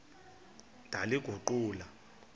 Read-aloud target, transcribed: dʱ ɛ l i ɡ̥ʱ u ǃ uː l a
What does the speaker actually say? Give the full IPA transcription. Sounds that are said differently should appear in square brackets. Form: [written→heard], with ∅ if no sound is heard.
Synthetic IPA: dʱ [ɛ→a] l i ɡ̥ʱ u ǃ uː l a